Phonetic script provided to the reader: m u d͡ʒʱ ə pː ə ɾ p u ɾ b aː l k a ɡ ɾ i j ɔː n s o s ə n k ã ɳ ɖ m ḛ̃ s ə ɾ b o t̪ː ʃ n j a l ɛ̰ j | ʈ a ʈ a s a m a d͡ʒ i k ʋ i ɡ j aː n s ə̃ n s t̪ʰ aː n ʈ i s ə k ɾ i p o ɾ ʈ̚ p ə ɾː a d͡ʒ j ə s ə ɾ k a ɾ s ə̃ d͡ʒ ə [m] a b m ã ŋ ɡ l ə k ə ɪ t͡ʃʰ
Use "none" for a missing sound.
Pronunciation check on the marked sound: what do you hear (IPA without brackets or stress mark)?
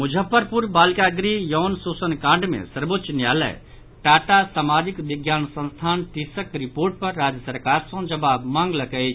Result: b